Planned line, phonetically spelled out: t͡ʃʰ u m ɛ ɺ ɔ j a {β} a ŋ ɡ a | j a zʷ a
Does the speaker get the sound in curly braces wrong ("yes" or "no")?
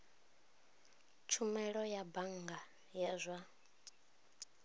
yes